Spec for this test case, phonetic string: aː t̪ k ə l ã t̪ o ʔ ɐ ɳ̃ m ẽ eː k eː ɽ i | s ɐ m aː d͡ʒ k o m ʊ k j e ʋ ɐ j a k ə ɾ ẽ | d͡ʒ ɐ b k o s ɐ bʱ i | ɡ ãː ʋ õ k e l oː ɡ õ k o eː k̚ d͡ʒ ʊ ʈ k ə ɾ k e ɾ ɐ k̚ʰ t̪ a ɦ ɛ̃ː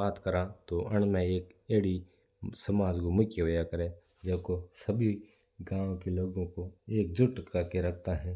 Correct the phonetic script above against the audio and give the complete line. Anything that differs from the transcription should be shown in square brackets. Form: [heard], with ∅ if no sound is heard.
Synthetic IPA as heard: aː t̪ k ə [ɾ] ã t̪ o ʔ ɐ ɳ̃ m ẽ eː k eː ɽ i | s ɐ m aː d͡ʒ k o m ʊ k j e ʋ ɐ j a k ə ɾ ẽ | d͡ʒ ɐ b k o s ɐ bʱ i | ɡ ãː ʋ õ k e l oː ɡ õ k o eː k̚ d͡ʒ ʊ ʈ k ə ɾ k e ɾ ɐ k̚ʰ t̪ a ɦ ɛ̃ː